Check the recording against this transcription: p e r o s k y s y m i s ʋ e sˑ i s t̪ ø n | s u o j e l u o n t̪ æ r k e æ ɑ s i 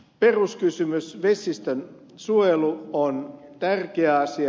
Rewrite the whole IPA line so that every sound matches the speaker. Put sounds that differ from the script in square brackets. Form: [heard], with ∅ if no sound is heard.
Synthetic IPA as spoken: p e r [u] s k y s y m [y] s ʋ e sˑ i s t̪ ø n | s u o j e l u o n t̪ æ r k e æ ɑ s i